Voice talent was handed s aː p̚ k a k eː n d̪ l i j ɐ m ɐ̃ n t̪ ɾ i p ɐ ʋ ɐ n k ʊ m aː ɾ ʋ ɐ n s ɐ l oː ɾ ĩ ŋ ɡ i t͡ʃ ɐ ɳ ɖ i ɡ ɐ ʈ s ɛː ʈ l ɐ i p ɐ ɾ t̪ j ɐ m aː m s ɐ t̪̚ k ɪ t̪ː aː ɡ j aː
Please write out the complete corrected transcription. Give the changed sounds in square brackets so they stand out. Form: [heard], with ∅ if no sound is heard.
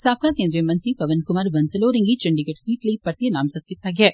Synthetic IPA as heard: s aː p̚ k a k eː n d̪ [ɾ] i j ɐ m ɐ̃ n t̪ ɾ i p ɐ ʋ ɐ n k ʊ m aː ɾ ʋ ɐ n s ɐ l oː ɾ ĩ ŋ ɡ i t͡ʃ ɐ ɳ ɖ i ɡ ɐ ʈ s [iː] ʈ l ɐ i p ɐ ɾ t̪ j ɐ [n] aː m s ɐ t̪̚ k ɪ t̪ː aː ɡ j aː